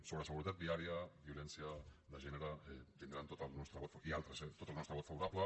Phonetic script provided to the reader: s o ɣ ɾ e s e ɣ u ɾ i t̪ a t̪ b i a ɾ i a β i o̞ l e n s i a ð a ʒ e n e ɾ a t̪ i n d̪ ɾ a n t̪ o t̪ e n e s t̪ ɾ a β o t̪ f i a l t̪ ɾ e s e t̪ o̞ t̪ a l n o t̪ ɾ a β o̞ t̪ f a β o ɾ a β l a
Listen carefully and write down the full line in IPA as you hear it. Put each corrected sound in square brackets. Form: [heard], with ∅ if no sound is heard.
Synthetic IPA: s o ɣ ɾ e s e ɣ u ɾ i t̪ a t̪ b i a ɾ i a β i o̞ l e n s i a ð a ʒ e n e ɾ a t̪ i n d̪ ɾ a n t̪ o t̪ [a] n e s t̪ ɾ a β o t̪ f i a l t̪ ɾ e s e t̪ o̞ t̪ a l n o t̪ ɾ a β o̞ t̪ f a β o ɾ a β l a